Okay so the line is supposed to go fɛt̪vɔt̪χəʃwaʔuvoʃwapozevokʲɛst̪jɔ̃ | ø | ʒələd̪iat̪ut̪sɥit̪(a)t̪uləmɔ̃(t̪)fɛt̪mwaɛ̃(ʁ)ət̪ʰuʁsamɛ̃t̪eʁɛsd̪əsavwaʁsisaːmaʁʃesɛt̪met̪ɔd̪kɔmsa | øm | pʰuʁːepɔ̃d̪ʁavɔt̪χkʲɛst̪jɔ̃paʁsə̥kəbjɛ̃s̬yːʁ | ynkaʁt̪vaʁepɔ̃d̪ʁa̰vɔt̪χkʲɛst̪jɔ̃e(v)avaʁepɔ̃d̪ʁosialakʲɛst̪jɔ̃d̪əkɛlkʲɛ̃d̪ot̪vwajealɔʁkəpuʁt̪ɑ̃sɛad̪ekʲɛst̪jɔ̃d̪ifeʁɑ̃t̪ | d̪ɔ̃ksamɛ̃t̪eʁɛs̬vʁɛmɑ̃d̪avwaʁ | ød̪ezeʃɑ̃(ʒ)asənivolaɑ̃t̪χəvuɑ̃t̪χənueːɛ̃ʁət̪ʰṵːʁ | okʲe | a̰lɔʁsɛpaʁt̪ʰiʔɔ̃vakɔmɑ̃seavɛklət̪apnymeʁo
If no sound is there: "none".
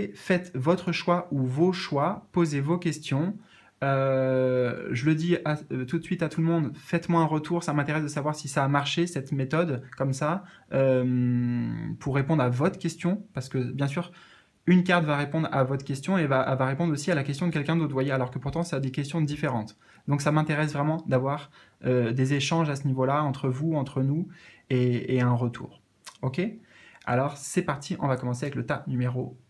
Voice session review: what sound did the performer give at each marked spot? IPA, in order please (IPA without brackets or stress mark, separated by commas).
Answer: a, d̪, ʁ, v, ʒ